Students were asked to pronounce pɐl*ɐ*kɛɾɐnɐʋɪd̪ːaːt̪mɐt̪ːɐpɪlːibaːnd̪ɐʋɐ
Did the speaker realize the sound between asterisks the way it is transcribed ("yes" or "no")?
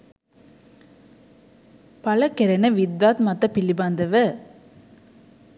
yes